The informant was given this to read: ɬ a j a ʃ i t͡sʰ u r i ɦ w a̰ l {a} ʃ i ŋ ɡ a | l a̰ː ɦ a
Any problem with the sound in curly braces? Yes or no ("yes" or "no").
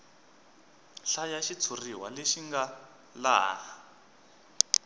yes